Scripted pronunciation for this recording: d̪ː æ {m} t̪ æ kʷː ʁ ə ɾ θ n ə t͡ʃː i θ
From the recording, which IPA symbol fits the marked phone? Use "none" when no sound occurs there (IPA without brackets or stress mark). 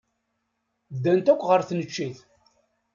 n